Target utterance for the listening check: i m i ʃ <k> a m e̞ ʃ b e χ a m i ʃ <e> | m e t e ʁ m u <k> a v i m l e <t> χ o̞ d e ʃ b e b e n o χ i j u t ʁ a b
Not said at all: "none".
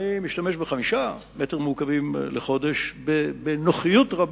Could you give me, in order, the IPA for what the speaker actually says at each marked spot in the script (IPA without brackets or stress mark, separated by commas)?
t, a, k, none